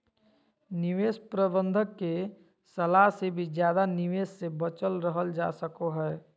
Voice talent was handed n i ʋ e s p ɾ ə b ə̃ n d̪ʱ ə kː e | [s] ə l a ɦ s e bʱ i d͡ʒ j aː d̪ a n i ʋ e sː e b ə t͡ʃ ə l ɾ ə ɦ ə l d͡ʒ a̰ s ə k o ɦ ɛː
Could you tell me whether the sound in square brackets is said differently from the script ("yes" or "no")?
no